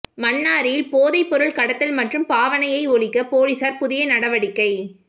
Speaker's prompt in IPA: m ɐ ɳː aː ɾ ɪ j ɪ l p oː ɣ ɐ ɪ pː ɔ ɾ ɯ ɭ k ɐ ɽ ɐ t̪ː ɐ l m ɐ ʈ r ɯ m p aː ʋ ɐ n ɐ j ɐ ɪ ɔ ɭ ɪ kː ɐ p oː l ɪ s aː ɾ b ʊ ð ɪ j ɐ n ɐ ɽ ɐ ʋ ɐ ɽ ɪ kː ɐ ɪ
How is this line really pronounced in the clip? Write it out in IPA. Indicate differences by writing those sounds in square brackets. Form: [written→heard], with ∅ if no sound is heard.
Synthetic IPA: m ɐ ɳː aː ɾ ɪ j ɪ l p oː [ɣ→ð] ɐ ɪ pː ɔ ɾ ɯ ɭ k ɐ ɽ ɐ t̪ː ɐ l m ɐ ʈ r ɯ m p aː ʋ ɐ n ɐ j ɐ ɪ ɔ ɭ ɪ kː ɐ p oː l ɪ s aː ɾ [b→p] ʊ ð ɪ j ɐ n ɐ ɽ ɐ ʋ ɐ ɽ ɪ kː ɐ ɪ